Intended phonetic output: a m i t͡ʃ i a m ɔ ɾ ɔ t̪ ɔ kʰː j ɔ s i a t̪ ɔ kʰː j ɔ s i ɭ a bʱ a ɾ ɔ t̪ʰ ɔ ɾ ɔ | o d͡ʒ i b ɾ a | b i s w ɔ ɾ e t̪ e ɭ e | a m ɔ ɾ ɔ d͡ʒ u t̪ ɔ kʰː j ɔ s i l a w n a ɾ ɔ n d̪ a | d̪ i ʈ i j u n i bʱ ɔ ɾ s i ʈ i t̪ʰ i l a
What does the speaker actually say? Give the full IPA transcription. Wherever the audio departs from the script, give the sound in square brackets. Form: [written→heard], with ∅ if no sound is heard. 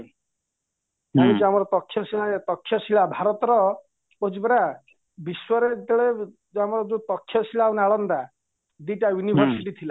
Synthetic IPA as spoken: a m i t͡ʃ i a m ɔ ɾ ɔ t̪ ɔ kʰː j ɔ s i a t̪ ɔ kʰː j ɔ s i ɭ a bʱ a ɾ ɔ [t̪ʰ→t̪] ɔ ɾ ɔ | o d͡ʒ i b ɾ a | b i s w ɔ ɾ e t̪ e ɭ e | a m ɔ ɾ ɔ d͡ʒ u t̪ ɔ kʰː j ɔ s i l a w n a [ɾ→ɭ] ɔ n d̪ a | d̪ i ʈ [i→a] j u n i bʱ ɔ ɾ s i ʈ i t̪ʰ i l a

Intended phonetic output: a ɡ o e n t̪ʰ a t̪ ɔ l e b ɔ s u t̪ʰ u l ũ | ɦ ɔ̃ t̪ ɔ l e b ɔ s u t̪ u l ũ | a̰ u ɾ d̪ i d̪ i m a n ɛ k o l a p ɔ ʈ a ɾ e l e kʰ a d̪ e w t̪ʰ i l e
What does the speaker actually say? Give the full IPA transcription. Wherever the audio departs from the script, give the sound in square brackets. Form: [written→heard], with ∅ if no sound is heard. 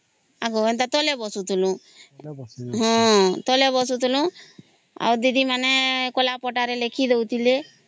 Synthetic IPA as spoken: a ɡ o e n [t̪ʰ→t̪] a t̪ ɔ l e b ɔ s u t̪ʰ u l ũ | ɦ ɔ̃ t̪ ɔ l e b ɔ s u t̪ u l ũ | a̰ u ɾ d̪ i d̪ i m a n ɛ k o l a p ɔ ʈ a ɾ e l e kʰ [a→i] d̪ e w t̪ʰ i l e

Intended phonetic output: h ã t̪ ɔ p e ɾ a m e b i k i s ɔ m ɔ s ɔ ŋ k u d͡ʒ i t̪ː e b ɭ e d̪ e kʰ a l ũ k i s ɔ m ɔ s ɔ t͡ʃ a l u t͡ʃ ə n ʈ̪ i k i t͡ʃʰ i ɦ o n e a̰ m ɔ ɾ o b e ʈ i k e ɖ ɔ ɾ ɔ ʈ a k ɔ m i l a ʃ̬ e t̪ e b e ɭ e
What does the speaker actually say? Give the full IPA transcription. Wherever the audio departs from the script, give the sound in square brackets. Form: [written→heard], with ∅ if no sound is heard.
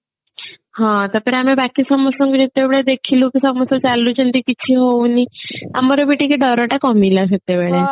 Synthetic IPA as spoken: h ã t̪ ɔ p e ɾ a m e b [i→a] k i s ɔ m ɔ s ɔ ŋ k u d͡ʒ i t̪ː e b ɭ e d̪ e kʰ [a→i] l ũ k i s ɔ m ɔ s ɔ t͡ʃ a l u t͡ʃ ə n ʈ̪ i k i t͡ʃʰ i ɦ o n [e→i] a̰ m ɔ ɾ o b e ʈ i k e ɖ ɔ ɾ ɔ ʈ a k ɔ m i l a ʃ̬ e t̪ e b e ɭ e

